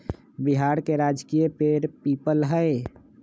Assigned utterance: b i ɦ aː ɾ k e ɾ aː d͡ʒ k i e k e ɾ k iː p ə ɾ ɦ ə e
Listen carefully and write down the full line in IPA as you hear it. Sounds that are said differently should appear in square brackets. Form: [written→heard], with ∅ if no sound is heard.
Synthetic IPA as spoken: b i ɦ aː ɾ k e ɾ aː d͡ʒ k i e [k→p] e ɾ [k→p] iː p ə [ɾ→l] ɦ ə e